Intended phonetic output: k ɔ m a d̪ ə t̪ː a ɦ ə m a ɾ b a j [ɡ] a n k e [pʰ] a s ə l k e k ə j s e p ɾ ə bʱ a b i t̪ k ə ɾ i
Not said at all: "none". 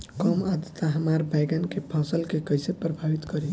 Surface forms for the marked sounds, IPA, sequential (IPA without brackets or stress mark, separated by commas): ɡ, pʰ